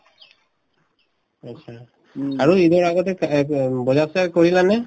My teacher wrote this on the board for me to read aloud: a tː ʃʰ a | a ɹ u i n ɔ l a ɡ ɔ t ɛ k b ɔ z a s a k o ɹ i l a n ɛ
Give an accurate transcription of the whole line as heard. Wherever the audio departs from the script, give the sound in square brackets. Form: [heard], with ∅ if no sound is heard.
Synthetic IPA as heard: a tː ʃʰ a | a ɹ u i [d] ɔ [ɹ] a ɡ ɔ t ɛ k b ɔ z a s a k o ɹ i l a n ɛ

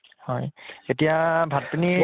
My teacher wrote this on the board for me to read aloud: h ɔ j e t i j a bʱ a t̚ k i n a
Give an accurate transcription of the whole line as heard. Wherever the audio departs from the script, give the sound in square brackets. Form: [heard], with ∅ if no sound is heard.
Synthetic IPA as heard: h ɔ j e t i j a bʱ a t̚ [p] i n [i]

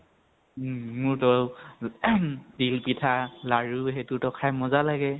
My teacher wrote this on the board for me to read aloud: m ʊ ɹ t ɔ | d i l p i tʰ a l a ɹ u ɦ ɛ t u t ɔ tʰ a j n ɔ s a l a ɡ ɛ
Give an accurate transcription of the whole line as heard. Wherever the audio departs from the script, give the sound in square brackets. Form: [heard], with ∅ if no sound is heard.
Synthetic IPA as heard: m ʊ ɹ t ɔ | d i l p i tʰ a l a ɹ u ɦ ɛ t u t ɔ [kʰ] a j [m] ɔ [z] a l a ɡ ɛ

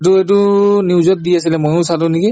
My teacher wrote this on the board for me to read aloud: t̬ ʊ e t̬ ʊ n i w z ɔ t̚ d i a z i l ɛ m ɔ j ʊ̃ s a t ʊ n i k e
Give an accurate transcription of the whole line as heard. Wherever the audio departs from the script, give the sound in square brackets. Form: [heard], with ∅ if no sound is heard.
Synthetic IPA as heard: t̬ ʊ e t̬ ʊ n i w z ɔ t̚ d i a [s] i l ɛ m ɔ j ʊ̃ s a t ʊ n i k [i]

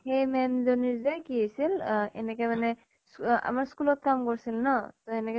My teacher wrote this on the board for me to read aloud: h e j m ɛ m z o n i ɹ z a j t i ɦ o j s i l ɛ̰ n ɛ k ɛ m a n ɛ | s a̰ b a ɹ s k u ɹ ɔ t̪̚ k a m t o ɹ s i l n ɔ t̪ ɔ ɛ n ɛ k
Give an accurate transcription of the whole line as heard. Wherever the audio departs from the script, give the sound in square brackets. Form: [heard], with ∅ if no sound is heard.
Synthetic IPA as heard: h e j m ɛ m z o n i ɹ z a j [k] i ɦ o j s i l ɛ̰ n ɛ k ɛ m a n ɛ | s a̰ [m] a ɹ s k u [l] ɔ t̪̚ k a m [k] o ɹ s i l n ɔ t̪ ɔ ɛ n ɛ k

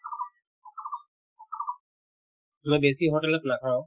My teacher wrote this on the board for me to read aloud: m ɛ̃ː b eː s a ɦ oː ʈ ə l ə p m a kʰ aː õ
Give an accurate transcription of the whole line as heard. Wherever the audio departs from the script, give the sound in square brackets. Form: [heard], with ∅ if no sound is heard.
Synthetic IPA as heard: m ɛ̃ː b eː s [i] ɦ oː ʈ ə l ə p [n] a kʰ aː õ

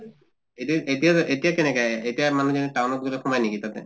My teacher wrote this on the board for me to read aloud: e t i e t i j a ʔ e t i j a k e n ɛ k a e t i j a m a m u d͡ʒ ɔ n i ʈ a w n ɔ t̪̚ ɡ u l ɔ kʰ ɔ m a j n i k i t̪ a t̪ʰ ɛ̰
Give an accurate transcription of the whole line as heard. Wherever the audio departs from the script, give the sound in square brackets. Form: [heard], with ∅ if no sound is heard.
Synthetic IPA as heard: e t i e t i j a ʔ e t i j a k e n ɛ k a e t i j a m a [n] u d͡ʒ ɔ n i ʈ a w n ɔ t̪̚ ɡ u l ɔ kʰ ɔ m a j n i k i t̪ a [t̪] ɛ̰

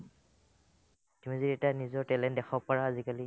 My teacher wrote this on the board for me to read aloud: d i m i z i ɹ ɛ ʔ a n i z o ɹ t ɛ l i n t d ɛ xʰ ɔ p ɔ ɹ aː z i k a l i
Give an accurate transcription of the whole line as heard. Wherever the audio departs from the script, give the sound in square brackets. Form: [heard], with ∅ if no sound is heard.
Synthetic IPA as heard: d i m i z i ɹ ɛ [t] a n i z [ɔ] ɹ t ɛ l [ɛ] n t d ɛ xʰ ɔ p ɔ ɹ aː z i k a l i

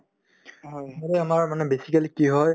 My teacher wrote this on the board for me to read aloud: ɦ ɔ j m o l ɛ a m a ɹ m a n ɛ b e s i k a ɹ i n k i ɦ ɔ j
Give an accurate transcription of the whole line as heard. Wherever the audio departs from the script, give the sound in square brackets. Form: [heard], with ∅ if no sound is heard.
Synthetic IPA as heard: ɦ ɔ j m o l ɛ a m a ɹ m a n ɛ b e s i k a [l] i [∅] k i ɦ ɔ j

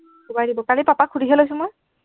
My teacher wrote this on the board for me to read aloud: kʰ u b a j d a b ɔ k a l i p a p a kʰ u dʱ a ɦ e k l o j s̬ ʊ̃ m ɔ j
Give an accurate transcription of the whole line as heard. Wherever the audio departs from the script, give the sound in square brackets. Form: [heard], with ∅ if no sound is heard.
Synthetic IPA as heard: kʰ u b a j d [i] b ɔ k a l i p a p a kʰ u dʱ [i] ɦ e [∅] l o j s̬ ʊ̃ m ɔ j

